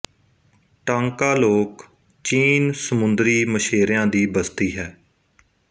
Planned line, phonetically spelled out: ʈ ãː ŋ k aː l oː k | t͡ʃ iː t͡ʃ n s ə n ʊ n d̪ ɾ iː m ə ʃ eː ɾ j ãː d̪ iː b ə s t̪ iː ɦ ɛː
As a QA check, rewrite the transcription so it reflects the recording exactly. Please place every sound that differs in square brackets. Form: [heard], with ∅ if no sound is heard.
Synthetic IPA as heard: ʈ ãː ŋ k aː l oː k | t͡ʃ iː [∅] n s ə [m] ʊ n d̪ ɾ iː m ə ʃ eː ɾ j ãː d̪ iː b ə s t̪ iː ɦ ɛː